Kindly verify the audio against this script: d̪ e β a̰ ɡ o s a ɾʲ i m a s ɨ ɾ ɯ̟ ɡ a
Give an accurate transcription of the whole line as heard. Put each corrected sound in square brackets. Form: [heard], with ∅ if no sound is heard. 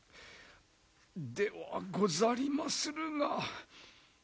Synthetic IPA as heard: d̪ e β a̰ ɡ o [z] a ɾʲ i m a s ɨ ɾ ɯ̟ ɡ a